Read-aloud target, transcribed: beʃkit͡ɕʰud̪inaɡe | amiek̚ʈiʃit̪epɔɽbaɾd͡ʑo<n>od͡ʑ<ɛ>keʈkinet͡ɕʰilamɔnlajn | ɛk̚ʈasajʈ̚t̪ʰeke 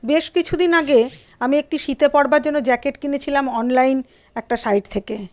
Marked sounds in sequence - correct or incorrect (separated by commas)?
incorrect, correct